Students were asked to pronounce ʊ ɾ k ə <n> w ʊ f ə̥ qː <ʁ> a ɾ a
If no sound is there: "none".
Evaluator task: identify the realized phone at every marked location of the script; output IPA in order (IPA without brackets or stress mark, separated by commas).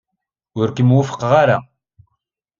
m, ʁ